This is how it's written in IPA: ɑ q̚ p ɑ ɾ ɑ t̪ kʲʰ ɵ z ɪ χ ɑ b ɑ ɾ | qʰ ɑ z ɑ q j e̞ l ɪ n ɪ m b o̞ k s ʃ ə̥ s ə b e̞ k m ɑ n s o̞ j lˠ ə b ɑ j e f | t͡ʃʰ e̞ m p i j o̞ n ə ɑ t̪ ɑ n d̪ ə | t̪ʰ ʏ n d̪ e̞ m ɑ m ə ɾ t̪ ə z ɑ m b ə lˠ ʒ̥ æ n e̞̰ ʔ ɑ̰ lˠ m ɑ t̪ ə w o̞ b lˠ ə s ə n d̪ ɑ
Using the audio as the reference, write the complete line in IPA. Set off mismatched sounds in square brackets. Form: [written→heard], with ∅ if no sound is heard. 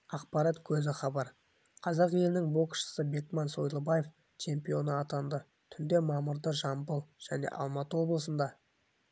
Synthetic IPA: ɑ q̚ p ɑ ɾ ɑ t̪ kʲʰ ɵ z ɪ χ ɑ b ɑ ɾ | qʰ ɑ z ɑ q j e̞ l ɪ n ɪ [m→ŋ] b o̞ k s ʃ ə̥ s ə b e̞ k m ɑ n s o̞ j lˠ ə b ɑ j e f | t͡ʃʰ e̞ m p i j o̞ n ə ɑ t̪ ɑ n d̪ ə | t̪ʰ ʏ n d̪ e̞ m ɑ m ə ɾ [t̪→d̪] ə [z→ʒ] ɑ m b ə lˠ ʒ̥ æ n e̞̰ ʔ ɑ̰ lˠ m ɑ t̪ ə w o̞ b lˠ ə s ə n d̪ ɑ